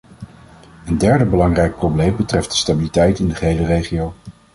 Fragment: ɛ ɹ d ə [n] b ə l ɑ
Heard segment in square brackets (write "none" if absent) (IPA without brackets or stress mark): none